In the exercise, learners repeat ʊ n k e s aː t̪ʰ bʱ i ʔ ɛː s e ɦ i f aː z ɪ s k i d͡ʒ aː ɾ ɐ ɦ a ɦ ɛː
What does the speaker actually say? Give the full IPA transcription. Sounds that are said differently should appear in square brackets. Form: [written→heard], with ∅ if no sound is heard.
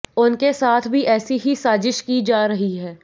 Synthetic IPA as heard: ʊ n k e s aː t̪ʰ bʱ i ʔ ɛː s [e→i] ɦ i [f→s] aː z ɪ [s→ʃ] k i d͡ʒ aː ɾ ɐ ɦ [a→i] ɦ ɛː